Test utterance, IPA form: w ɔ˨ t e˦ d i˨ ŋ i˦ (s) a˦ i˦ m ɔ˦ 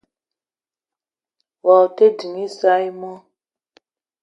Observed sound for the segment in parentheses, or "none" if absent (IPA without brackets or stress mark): s